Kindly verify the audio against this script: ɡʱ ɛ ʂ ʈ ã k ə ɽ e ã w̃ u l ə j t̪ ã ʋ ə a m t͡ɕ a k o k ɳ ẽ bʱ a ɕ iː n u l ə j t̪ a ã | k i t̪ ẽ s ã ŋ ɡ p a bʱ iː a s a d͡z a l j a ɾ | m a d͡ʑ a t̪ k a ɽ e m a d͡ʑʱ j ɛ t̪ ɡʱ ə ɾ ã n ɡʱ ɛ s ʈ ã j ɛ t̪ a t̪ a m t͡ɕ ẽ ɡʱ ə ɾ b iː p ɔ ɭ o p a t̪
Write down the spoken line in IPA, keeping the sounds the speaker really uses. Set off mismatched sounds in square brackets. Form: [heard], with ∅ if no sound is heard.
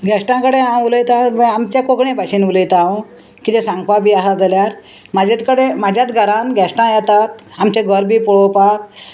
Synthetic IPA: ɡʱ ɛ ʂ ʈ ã k ə ɽ e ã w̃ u l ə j t̪ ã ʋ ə a m t͡ɕ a k o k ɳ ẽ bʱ a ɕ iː n u l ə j t̪ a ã | k i t̪ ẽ s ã ŋ ɡ p a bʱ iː a s a d͡z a l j a ɾ | m a d͡ʑ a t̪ k [ə] ɽ e m a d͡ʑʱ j [a] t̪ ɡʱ ə ɾ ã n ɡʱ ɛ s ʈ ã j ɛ t̪ a t̪ a m t͡ɕ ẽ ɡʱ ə ɾ b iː p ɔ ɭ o p a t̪